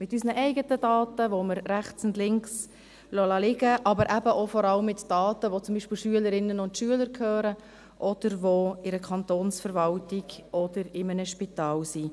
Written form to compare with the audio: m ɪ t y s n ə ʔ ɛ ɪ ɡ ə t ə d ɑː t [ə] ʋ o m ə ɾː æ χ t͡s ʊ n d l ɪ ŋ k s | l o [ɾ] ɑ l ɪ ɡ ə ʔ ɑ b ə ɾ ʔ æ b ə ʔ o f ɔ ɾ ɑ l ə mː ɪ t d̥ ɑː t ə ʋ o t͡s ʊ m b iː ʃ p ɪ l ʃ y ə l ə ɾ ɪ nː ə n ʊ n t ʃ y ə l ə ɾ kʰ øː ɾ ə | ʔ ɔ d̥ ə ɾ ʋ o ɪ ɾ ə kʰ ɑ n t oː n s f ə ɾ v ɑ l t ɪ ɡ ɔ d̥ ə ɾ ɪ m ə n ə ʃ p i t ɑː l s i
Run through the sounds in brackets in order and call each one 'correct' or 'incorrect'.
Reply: correct, incorrect: l

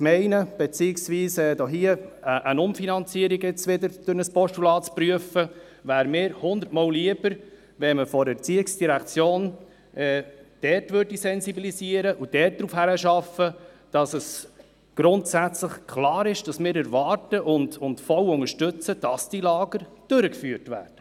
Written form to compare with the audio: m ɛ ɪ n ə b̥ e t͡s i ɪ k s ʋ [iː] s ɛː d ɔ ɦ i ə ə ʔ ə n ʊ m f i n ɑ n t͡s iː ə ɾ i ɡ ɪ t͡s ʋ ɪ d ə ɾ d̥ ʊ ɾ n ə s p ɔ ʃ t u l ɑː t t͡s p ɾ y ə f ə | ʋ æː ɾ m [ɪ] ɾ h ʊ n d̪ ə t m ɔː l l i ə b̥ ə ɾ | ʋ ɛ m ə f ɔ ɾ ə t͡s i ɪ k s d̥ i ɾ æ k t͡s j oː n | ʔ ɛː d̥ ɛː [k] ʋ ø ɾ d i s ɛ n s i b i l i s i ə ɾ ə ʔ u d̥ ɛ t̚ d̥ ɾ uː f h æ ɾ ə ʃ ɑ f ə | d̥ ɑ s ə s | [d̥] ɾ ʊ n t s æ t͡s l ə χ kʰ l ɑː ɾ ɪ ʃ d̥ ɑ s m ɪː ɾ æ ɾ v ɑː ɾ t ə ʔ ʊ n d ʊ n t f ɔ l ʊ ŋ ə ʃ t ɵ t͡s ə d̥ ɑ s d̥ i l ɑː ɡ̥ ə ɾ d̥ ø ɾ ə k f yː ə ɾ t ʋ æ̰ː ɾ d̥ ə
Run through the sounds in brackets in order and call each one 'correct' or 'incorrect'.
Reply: correct, incorrect: ɪː, incorrect: t, incorrect: ɡ̥

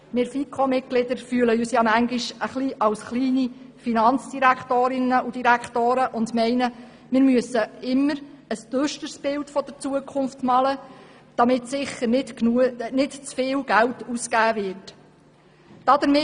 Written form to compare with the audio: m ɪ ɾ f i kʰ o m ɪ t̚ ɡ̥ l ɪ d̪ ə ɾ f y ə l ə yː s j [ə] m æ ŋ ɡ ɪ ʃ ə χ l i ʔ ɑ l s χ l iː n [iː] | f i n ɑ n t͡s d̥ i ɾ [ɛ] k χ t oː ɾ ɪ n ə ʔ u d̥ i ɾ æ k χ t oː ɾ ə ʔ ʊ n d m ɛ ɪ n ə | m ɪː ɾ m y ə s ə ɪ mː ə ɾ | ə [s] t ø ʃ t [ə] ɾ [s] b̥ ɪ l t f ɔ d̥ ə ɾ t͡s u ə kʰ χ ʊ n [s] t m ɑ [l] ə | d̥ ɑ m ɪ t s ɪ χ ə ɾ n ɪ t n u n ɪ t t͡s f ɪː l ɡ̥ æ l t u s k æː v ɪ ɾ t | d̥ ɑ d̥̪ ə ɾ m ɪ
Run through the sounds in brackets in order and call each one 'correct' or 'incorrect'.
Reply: incorrect: ɑ, incorrect: i, incorrect: æ, correct, correct, correct, incorrect: f, correct

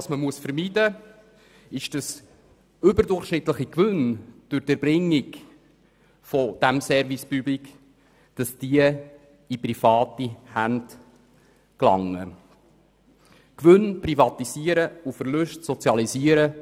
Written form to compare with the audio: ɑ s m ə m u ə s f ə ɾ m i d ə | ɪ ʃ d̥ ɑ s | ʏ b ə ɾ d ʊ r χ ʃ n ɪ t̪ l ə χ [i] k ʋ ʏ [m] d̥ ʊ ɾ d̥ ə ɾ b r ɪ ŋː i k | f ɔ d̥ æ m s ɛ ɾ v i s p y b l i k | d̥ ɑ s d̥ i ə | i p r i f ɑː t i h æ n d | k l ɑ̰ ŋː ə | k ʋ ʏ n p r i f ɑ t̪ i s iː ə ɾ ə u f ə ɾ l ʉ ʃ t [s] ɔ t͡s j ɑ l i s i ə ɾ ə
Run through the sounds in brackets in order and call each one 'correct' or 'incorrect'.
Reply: correct, incorrect: n, correct

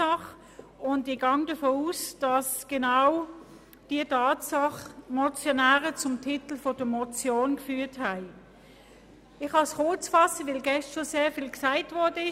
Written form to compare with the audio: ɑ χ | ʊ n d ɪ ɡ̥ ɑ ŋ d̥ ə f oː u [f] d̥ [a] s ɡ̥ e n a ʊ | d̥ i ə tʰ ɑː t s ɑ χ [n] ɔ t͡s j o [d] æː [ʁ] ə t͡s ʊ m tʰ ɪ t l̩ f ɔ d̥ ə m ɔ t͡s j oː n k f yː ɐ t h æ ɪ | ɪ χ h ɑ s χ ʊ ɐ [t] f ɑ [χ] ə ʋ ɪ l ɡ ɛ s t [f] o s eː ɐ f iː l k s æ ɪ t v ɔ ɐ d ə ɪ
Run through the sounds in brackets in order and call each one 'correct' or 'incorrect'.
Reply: incorrect: s, incorrect: ɑ, incorrect: m, incorrect: n, correct, incorrect: t͡s, incorrect: s, incorrect: ʃ

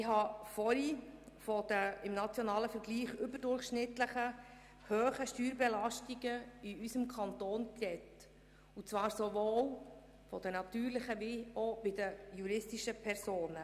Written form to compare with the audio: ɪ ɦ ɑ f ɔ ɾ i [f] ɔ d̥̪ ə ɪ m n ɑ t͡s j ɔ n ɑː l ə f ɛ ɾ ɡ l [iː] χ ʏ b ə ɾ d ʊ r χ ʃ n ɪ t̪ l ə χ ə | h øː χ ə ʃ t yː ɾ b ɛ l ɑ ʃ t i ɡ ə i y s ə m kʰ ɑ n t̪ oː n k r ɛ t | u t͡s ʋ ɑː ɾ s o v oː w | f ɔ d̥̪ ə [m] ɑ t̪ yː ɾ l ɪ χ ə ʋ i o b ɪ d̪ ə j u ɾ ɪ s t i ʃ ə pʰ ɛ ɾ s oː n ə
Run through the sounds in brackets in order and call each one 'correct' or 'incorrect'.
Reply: correct, correct, incorrect: n

